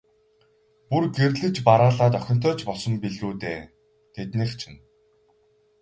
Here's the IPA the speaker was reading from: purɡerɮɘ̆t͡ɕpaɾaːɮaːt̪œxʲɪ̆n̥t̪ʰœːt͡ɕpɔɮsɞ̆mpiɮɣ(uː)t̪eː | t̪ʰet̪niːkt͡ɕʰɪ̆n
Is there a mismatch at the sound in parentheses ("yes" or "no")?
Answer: no